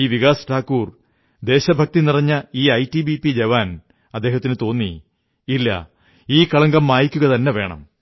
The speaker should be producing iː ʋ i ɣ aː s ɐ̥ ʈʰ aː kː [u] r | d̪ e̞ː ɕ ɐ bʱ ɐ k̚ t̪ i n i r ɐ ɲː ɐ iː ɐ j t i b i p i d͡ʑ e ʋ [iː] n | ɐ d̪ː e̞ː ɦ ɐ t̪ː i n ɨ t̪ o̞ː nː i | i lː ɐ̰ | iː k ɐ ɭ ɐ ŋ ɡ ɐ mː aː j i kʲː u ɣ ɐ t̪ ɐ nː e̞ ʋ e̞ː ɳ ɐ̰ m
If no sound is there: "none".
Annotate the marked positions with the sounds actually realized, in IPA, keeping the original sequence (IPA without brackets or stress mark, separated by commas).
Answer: uː, aː